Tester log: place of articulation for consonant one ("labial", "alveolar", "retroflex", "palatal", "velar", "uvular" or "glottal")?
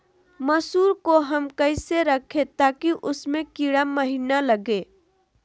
labial